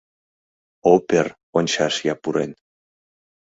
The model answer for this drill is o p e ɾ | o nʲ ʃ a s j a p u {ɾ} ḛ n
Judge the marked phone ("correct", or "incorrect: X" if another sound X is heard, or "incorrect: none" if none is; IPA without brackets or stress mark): correct